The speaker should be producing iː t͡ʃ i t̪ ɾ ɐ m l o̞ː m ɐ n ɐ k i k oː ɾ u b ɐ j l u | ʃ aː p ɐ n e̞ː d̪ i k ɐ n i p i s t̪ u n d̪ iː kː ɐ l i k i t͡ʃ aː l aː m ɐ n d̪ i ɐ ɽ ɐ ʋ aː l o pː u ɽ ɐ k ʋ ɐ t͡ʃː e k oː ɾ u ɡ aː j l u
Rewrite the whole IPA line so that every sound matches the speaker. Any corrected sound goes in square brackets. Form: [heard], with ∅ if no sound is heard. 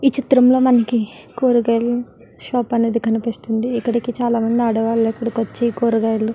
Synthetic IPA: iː t͡ʃ i t̪ ɾ ɐ m l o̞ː m ɐ n ɐ k i k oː ɾ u [ɡ] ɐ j l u | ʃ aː p ɐ n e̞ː d̪ i k ɐ n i p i s t̪ u n d̪ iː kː ɐ [ɽ] i k i t͡ʃ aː l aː m ɐ n d̪ i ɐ ɽ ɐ ʋ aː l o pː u ɽ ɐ k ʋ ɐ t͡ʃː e k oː ɾ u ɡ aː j l u